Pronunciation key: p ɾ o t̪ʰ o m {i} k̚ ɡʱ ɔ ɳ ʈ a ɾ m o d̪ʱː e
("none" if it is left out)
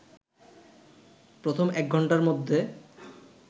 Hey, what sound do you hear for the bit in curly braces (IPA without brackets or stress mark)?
ɛ